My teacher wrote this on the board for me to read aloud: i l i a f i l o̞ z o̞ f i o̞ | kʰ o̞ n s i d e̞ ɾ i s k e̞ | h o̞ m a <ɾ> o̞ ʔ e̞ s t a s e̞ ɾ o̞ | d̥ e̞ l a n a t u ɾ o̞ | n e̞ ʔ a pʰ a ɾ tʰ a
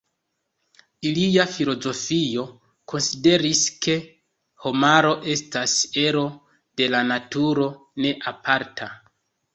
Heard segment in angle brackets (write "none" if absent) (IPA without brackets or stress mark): ɾ